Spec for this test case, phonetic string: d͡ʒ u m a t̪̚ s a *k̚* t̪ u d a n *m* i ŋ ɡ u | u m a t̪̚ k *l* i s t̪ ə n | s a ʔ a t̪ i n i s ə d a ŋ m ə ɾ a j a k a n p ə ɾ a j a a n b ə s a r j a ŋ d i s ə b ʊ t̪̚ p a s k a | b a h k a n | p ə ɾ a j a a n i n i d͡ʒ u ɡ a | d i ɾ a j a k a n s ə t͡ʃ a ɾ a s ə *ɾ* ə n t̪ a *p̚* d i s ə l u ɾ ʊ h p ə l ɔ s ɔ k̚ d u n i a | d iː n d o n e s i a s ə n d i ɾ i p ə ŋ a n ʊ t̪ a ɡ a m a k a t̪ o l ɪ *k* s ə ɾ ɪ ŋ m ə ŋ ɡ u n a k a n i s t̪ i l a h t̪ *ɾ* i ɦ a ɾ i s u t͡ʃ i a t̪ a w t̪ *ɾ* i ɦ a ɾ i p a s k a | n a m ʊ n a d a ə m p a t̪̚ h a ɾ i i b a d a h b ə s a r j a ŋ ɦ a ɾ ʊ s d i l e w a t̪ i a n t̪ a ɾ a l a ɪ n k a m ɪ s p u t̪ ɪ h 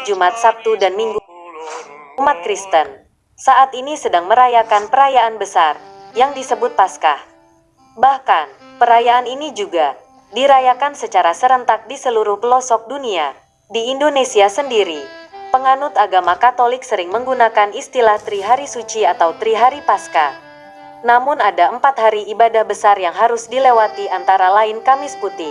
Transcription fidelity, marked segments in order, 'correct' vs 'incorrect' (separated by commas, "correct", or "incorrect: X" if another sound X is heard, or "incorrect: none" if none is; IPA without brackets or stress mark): incorrect: p̚, correct, incorrect: ɾ, correct, incorrect: k̚, correct, correct, correct